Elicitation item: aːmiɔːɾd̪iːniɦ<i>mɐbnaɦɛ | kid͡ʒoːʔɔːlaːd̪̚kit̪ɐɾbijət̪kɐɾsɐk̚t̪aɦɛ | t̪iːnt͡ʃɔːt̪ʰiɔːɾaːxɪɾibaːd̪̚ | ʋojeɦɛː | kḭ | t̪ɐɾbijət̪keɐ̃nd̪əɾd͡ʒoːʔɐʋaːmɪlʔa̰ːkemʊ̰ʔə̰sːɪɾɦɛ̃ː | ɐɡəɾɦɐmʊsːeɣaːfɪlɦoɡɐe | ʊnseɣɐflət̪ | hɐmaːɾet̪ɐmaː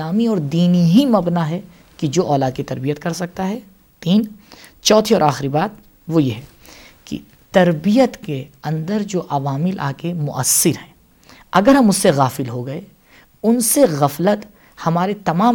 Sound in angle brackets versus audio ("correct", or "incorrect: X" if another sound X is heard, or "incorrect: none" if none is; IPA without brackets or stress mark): correct